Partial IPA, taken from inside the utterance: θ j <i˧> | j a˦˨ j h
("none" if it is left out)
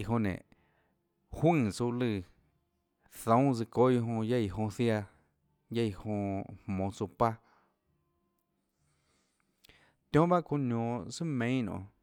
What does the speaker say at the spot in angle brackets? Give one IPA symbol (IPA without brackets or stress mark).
a˧